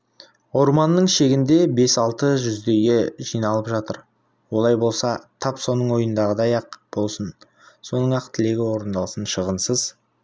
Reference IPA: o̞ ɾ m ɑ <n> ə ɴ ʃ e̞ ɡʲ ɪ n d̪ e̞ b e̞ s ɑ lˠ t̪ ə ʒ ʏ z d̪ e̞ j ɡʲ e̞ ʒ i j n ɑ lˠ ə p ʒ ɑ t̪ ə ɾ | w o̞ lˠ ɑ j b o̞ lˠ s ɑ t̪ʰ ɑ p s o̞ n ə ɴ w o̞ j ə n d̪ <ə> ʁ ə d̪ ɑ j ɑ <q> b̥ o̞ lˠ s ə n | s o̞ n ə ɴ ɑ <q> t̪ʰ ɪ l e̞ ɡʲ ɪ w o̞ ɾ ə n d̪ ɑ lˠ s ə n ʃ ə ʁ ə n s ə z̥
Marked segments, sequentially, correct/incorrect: incorrect: nː, incorrect: ɑ, correct, correct

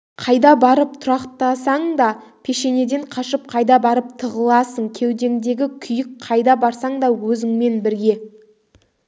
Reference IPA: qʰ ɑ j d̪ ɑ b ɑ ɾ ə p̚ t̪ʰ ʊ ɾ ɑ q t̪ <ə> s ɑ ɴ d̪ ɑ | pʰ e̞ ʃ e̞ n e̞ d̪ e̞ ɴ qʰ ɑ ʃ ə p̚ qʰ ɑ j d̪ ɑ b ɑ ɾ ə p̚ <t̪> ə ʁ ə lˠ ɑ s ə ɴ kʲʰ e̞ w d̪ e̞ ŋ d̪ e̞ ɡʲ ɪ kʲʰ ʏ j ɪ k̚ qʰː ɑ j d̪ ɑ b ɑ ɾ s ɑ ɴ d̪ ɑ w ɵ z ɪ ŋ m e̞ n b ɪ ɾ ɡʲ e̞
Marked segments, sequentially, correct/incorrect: incorrect: ɑ, incorrect: t̪ʰ

